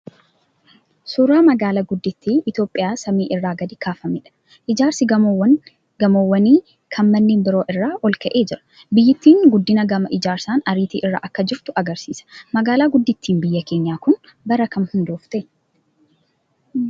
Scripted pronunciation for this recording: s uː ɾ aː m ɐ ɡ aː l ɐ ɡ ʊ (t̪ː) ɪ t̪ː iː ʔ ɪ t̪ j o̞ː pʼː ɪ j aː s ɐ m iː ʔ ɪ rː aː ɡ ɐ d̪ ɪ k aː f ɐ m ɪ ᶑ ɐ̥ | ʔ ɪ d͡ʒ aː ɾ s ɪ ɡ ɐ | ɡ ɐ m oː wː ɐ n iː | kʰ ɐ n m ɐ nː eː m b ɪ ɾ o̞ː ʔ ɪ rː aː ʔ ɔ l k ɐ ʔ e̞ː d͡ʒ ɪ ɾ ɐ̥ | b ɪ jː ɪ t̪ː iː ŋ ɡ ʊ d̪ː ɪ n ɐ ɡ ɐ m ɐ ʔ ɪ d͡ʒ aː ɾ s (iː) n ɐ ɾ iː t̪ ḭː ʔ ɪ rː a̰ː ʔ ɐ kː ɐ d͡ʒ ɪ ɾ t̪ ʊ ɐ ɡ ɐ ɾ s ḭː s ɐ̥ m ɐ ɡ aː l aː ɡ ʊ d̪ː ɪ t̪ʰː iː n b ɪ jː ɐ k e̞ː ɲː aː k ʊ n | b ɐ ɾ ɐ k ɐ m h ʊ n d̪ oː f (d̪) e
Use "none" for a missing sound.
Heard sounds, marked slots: d̪ː, aː, t̪

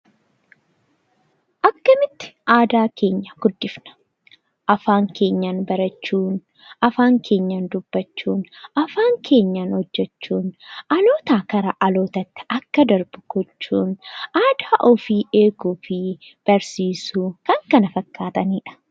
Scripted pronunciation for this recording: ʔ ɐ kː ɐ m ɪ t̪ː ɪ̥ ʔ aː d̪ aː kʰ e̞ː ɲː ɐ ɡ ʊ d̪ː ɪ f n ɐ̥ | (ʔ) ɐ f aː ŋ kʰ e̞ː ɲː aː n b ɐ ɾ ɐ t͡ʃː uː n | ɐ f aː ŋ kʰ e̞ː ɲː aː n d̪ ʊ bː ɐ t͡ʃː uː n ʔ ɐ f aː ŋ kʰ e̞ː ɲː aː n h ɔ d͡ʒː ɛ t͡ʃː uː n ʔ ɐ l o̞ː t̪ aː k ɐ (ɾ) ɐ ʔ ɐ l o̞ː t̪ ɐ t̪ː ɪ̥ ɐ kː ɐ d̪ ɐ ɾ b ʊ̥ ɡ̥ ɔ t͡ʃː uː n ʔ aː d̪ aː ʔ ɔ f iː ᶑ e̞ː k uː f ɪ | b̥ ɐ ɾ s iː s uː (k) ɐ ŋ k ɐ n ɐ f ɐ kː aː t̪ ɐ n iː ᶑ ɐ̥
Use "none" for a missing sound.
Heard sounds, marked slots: ʔ, ɾ, k

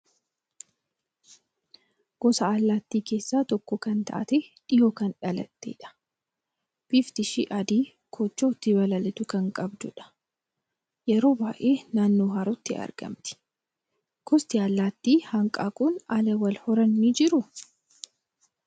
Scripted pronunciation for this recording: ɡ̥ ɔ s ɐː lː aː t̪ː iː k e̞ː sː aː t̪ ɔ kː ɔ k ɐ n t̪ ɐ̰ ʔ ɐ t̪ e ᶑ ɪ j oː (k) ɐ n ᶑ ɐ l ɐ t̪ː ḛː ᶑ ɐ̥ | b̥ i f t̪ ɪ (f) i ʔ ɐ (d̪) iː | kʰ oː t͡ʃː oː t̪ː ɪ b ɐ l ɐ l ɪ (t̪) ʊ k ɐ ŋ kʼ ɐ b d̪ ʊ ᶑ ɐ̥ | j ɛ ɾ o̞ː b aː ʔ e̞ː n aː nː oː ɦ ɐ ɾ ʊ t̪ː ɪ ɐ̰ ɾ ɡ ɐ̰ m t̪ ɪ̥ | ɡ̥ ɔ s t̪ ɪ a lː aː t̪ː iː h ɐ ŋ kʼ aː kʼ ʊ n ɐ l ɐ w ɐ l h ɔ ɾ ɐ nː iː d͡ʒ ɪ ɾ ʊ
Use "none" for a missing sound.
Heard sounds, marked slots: k, ʃ, d̪, t̪

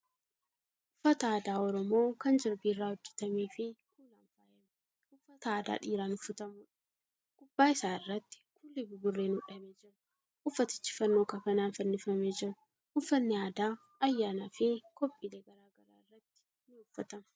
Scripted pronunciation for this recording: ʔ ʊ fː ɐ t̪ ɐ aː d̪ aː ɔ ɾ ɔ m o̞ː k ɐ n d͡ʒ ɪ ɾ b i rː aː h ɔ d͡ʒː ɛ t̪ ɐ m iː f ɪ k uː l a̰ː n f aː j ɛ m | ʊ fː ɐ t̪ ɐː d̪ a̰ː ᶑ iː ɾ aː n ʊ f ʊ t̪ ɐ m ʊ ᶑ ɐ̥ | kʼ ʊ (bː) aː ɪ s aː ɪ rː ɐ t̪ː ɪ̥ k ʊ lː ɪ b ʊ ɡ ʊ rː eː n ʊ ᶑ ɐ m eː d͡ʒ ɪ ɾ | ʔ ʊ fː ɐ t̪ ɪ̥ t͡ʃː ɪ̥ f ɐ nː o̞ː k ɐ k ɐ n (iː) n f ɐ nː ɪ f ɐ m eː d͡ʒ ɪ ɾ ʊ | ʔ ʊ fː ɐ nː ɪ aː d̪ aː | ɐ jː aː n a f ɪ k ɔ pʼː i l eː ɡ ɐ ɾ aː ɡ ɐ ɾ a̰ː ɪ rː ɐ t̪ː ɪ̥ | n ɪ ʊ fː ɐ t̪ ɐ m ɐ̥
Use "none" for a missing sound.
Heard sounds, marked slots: bː, aː

